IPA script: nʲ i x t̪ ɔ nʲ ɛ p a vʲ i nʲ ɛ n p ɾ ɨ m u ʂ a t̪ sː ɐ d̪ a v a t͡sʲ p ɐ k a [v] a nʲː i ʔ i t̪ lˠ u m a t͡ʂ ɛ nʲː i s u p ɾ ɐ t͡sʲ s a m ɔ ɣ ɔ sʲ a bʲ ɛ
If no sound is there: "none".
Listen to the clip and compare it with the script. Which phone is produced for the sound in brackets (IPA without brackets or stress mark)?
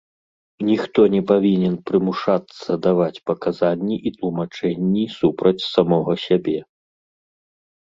z